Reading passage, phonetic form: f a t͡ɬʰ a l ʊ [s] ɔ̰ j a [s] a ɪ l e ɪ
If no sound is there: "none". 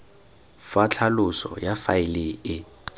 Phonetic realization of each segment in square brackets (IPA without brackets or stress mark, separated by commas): s, f